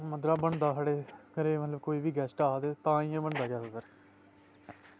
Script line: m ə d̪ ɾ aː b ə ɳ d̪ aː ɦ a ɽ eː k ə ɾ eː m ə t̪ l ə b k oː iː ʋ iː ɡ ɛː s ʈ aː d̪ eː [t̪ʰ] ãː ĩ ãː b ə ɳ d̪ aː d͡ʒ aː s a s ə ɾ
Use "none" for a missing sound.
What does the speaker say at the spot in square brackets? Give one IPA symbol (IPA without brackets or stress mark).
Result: t̪